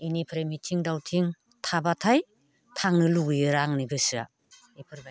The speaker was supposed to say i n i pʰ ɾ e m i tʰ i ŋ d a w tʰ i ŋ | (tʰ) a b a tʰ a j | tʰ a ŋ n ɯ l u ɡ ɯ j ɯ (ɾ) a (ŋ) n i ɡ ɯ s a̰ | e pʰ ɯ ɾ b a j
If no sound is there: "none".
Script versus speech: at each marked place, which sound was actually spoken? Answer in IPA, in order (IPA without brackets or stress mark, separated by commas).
tʰ, ɾ, ŋ